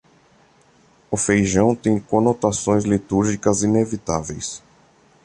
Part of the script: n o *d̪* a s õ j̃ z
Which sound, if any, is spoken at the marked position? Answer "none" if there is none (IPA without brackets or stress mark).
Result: t̪